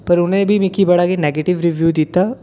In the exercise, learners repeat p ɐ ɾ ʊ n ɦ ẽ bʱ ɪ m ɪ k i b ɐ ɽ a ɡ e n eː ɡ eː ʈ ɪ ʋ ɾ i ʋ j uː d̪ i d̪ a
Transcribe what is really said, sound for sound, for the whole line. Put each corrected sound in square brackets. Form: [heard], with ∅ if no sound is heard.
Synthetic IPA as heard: p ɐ ɾ ʊ n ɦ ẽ bʱ [i] m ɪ k i b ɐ ɽ a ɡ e n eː ɡ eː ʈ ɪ ʋ ɾ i ʋ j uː d̪ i [t̪] a